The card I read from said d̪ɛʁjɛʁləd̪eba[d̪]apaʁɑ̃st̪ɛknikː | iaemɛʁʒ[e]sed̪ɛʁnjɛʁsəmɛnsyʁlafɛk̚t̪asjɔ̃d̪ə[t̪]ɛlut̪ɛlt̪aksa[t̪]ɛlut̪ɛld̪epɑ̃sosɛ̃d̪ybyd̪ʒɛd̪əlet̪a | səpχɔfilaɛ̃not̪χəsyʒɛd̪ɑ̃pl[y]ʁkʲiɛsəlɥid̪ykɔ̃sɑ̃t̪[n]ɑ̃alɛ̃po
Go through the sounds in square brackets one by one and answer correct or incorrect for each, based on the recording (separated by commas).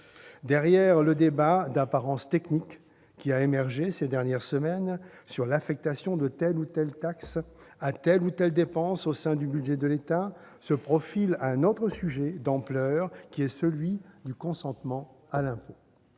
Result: correct, correct, correct, correct, incorrect, incorrect